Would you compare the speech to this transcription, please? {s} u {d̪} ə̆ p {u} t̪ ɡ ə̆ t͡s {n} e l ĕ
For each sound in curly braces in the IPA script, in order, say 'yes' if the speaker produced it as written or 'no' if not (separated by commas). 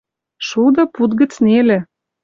no, yes, yes, yes